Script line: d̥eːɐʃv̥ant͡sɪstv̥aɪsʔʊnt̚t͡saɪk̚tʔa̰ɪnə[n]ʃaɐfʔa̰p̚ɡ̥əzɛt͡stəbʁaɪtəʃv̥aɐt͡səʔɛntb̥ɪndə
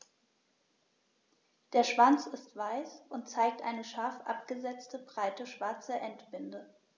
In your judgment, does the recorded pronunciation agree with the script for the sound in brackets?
no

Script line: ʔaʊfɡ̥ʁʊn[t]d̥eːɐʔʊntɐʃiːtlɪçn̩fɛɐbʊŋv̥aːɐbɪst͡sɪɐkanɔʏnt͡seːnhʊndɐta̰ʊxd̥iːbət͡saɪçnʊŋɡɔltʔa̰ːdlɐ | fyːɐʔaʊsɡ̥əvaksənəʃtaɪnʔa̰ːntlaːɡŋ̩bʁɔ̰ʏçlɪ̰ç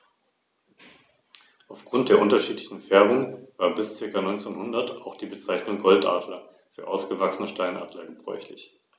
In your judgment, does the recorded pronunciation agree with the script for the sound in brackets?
yes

